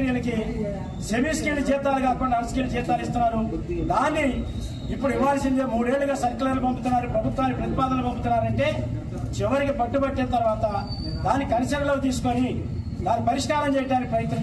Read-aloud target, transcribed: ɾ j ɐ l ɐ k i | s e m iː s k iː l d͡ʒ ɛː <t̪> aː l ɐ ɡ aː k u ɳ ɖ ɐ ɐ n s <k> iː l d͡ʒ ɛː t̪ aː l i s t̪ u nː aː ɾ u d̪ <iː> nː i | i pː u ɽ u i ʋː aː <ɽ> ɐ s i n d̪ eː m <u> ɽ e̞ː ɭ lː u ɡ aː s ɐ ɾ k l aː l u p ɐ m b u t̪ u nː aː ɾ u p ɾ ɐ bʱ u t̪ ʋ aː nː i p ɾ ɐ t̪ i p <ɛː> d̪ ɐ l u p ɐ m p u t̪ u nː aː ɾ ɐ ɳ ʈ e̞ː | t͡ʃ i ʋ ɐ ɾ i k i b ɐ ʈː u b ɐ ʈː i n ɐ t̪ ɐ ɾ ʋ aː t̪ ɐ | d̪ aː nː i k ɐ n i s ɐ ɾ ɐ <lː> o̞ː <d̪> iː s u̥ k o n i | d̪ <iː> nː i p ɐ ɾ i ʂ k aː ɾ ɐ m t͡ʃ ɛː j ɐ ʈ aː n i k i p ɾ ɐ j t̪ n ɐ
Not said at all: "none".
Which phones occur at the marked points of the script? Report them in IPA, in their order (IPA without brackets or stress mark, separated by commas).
t̪, k, aː, l, uː, aː, l, t̪, aː